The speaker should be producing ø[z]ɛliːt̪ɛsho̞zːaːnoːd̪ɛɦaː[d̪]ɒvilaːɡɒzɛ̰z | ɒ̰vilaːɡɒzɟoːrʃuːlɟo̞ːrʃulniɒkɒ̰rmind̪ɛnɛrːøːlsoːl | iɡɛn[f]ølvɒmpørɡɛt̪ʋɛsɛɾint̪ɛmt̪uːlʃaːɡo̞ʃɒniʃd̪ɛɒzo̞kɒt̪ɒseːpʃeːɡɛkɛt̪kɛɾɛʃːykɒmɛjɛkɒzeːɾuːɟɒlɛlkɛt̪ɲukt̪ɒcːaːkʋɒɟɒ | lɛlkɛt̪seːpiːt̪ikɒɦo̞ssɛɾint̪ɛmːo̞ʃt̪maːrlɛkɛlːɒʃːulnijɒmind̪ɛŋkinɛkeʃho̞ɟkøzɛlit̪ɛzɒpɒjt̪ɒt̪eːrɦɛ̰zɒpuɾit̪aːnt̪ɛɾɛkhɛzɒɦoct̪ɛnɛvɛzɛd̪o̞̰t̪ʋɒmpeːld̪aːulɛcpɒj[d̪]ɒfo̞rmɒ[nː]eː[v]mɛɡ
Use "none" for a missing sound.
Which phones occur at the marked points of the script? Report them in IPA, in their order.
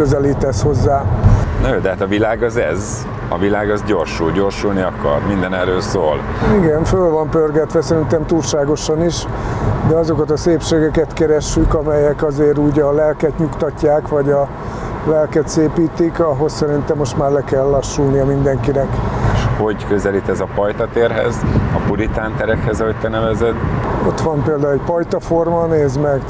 z, t̪, f, t̪, n, z

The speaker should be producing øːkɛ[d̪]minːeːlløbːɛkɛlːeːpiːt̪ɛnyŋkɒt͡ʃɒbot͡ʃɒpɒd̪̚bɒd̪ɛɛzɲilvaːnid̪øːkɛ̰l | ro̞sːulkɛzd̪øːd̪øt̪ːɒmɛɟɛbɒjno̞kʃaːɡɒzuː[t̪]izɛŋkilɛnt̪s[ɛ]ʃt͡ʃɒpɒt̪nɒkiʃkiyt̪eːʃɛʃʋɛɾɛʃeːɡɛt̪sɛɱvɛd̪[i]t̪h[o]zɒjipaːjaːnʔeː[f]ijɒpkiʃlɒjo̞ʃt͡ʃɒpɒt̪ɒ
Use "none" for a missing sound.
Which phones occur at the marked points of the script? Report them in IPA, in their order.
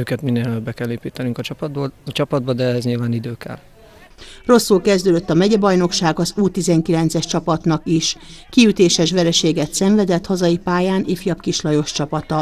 t̪, t̪, ɛ, ɛ, ɒ, f

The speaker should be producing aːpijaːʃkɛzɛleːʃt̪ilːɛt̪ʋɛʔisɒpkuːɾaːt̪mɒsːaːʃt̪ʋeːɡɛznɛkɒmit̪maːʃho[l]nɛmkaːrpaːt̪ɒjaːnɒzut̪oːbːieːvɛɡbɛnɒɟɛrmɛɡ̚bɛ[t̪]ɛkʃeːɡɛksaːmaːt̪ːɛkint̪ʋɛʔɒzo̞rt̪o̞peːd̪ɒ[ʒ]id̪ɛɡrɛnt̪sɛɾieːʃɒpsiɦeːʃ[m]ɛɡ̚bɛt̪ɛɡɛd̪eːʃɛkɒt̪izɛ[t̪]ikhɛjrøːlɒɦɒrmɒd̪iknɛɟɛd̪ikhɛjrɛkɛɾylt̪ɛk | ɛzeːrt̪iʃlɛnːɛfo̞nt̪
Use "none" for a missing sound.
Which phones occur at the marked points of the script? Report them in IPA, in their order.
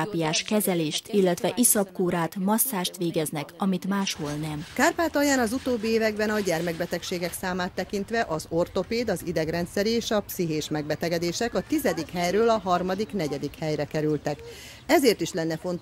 l, t̪, z, m, d̪

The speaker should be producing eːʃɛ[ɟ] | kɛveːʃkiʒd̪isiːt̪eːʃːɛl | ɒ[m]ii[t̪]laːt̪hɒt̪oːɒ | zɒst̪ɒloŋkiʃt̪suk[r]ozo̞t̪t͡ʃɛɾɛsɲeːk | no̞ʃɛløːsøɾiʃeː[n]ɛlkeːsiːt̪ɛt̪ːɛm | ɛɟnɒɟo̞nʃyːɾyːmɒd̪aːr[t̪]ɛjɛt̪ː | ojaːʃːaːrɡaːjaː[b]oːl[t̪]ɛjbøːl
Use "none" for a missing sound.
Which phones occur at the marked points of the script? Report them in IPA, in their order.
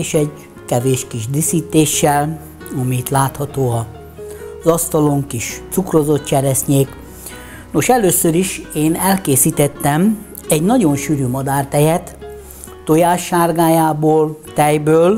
ɟ, m, t̪, r, n, t̪, b, t̪

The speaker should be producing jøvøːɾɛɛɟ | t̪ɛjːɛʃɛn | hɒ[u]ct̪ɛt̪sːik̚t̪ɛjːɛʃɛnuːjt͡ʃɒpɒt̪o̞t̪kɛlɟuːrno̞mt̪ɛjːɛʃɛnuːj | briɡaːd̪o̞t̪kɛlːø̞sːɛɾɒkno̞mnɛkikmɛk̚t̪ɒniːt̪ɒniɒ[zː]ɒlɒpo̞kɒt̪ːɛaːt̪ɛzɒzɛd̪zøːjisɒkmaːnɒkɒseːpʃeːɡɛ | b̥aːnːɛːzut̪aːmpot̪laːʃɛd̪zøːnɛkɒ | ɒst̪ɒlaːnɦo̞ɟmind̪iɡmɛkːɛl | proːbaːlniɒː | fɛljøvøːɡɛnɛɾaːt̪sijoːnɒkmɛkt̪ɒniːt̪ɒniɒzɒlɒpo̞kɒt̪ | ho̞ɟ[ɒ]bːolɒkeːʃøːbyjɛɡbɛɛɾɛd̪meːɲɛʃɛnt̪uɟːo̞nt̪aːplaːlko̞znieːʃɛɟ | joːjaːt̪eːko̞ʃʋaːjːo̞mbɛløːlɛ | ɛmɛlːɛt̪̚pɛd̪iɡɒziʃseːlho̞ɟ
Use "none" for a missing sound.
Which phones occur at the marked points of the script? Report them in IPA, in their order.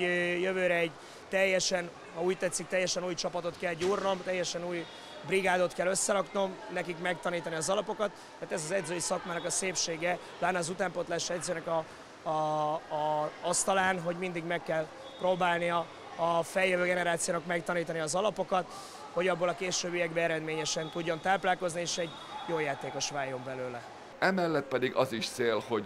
uː, z, ɒ

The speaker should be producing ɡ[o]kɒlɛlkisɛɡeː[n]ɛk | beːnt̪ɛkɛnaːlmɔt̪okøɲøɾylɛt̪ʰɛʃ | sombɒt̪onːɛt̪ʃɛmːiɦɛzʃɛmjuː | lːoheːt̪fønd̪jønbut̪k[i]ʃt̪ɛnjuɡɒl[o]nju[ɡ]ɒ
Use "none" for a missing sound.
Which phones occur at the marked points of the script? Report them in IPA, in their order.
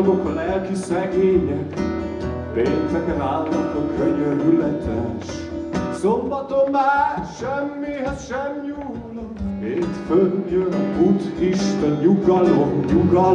o, ɲ, i, o, ɡ

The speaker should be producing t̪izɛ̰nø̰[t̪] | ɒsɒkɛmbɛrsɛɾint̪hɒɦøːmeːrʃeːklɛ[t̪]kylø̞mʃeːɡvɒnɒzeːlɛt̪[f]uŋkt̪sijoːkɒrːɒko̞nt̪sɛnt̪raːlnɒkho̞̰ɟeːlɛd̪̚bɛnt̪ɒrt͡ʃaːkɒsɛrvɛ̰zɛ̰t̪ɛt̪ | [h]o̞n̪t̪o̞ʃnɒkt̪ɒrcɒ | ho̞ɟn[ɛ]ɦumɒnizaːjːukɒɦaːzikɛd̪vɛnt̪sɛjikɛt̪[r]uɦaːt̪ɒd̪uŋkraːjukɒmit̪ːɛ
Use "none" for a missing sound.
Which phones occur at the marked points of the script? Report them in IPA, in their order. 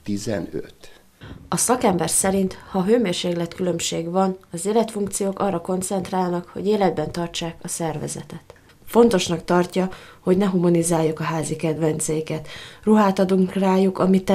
t̪, t̪, f, f, ɛ, r

